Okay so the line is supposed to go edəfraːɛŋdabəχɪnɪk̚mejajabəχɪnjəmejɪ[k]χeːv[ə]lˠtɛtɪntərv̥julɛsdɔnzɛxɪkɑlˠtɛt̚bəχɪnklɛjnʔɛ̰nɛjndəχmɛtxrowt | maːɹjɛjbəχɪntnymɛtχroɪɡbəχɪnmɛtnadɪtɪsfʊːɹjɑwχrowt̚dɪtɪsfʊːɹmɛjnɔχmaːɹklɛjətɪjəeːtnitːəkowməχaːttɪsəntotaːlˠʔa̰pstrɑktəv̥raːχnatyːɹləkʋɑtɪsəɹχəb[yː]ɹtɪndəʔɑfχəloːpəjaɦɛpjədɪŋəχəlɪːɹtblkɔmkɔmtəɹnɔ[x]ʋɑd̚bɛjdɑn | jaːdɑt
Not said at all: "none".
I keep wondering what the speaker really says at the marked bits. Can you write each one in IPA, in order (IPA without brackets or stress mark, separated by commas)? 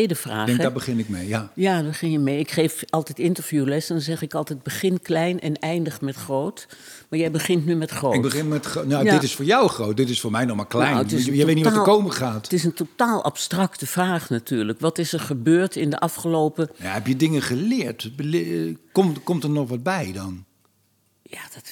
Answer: k, ɑ, øː, χ